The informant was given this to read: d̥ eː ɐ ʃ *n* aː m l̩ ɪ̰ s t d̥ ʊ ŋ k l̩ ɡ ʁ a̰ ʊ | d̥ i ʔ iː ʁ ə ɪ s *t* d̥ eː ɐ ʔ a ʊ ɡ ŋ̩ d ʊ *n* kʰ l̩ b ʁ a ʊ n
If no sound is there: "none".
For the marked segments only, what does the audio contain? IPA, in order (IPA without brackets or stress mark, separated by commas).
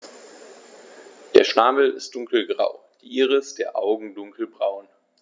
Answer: n, t, ŋ